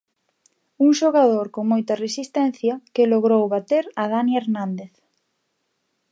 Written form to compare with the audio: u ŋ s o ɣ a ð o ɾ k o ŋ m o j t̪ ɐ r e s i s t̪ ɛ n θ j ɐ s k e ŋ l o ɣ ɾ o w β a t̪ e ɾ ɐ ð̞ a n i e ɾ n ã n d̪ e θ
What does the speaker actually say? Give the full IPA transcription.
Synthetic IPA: u ŋ ʃ o ɣ a ð o ɾ k o ŋ m o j t̪ ɐ r e s i s t̪ ɛ n θ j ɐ k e l o ɣ ɾ o w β a t̪ e ɾ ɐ ð̞ a n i e ɾ n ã n d̪ e θ